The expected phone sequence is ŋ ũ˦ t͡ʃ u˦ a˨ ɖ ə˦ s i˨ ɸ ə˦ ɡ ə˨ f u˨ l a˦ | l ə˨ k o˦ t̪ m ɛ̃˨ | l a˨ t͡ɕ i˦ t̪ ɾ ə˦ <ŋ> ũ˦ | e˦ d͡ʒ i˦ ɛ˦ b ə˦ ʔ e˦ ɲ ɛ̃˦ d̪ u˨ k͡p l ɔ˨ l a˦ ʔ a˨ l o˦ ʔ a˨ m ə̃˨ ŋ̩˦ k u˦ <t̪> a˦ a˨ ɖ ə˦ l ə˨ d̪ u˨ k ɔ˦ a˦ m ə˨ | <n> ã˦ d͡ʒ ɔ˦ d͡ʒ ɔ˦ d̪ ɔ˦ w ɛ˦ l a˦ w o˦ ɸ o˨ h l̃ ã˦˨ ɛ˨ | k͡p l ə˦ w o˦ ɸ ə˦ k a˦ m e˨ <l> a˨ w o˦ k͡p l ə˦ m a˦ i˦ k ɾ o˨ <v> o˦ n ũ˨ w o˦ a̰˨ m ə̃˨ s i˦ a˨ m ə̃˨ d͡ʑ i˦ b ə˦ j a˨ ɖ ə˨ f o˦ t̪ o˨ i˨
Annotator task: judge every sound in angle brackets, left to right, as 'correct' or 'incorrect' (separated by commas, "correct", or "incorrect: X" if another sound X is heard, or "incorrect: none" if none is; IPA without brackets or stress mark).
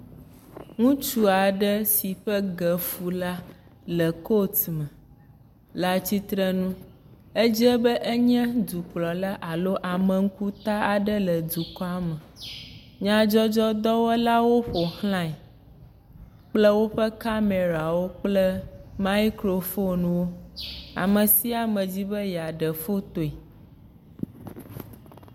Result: incorrect: n, correct, incorrect: ɲ, incorrect: ɾ, incorrect: f